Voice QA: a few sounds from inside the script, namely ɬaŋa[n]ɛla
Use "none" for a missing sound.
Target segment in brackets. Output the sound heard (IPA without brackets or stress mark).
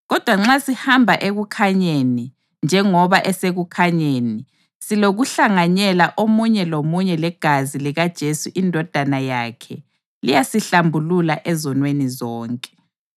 ɲ